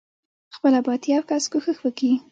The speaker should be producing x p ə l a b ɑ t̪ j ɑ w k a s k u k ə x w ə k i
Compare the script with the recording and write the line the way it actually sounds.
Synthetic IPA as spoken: x p ə l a b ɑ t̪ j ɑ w k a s k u x ə x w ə k i